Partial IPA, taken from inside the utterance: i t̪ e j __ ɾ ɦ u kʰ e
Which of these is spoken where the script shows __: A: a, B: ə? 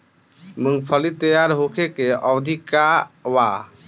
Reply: A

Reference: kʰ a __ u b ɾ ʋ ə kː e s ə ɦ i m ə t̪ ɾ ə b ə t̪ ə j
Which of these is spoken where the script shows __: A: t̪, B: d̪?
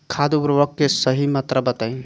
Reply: B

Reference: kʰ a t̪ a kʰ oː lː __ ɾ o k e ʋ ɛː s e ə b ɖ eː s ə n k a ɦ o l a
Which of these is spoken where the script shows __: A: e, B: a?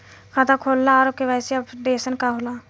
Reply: B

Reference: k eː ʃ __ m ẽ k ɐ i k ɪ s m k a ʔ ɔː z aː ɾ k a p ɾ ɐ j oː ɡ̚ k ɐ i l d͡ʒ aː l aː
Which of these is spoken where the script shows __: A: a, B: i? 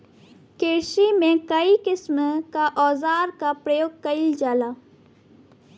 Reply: B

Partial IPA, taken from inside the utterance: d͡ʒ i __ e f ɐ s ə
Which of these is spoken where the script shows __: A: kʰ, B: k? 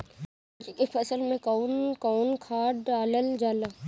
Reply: B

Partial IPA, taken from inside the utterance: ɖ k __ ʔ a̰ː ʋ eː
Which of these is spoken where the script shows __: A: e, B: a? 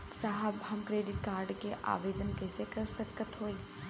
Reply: A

